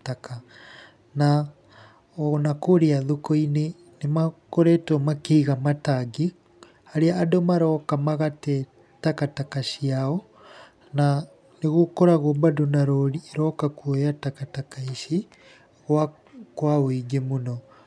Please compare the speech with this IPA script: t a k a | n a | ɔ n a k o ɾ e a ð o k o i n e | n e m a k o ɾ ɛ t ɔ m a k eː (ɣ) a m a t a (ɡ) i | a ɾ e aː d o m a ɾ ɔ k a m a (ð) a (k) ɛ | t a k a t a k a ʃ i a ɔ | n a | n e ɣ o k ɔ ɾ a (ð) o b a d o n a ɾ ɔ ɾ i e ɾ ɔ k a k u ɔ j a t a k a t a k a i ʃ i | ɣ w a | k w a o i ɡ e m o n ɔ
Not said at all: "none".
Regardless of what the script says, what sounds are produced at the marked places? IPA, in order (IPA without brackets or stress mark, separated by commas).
ɣ, ɡ, ɣ, t, ɣ